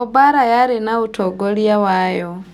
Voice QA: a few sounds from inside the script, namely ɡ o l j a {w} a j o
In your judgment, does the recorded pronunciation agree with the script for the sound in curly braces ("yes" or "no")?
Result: yes